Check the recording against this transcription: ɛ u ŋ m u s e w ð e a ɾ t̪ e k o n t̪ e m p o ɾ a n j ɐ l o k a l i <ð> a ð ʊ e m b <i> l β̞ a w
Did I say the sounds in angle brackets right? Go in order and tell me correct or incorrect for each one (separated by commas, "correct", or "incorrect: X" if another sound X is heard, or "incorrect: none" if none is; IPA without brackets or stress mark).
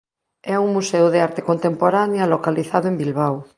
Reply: incorrect: θ, correct